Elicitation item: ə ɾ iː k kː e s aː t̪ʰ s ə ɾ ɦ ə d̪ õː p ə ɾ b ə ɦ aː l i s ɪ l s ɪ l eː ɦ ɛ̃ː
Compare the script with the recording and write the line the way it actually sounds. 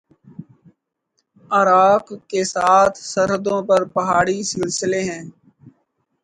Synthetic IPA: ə ɾ aː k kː e s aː t̪ʰ s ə ɾ ɦ ə d̪ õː p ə ɾ p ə ɦ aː ɽ i s ɪ l s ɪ l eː ɦ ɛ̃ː